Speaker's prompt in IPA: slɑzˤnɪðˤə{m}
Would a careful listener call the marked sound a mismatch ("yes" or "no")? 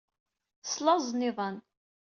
yes